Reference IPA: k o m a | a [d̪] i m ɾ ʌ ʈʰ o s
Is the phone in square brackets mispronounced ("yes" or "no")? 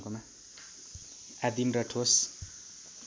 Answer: no